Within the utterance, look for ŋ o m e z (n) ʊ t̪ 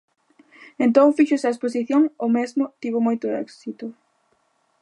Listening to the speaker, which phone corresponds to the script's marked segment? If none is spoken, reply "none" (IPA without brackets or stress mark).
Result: m